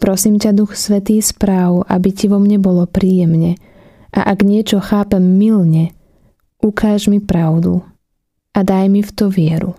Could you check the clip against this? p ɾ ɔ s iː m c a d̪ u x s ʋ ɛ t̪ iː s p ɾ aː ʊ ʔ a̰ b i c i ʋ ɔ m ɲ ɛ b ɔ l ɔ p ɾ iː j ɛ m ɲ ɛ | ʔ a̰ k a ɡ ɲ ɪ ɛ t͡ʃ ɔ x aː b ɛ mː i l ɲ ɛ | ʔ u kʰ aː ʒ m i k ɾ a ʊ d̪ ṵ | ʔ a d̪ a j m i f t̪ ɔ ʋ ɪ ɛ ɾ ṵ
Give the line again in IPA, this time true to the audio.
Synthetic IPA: p ɾ ɔ s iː m c a d̪ u x s ʋ ɛ t̪ iː s p ɾ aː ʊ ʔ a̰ b i c i ʋ ɔ m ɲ ɛ b ɔ l ɔ p ɾ iː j ɛ m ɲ ɛ | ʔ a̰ ʔ a ɡ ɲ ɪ ɛ t͡ʃ ɔ x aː p ɛ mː i l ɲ ɛ | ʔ u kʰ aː ʒ m i p ɾ a ʊ d̪ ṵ | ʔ a d̪ a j m i f t̪ ɔ ʋ ɪ ɛ ɾ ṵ